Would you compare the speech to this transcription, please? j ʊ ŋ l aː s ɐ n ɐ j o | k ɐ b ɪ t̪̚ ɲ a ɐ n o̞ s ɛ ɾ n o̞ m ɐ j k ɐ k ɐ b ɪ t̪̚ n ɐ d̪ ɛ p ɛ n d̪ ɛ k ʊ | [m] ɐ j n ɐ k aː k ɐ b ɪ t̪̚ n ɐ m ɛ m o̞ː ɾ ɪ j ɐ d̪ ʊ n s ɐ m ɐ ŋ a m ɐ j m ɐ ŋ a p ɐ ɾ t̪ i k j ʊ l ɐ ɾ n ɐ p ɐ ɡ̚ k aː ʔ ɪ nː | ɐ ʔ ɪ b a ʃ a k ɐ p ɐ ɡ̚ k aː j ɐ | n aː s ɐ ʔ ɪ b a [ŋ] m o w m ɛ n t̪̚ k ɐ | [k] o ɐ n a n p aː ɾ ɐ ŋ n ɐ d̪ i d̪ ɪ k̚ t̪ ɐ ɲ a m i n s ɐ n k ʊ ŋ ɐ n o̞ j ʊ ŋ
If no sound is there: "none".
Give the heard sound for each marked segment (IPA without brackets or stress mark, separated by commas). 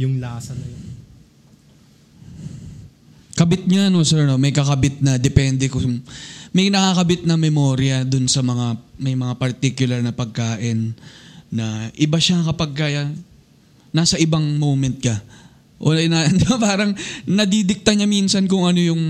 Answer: m, ŋ, ʔ